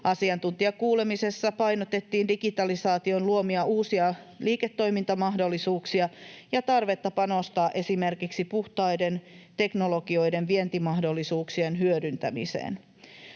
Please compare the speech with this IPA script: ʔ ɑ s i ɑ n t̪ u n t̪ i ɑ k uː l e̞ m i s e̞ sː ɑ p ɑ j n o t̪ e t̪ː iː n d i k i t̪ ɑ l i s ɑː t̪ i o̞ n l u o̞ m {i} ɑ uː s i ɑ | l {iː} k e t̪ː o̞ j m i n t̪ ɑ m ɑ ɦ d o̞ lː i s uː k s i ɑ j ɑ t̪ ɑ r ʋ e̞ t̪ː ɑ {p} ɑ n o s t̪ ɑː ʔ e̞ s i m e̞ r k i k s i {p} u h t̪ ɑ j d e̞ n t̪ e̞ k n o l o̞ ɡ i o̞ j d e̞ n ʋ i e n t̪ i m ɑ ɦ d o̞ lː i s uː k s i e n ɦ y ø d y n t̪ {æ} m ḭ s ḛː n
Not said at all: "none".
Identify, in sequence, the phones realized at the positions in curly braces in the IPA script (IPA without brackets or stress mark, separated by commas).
i, iː, p, p, æ